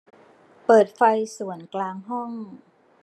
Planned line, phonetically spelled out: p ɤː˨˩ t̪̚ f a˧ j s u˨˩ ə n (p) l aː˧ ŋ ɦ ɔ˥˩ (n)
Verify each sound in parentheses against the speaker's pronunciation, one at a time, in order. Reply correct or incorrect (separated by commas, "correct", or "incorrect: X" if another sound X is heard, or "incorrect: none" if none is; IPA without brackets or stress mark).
incorrect: k, incorrect: ŋ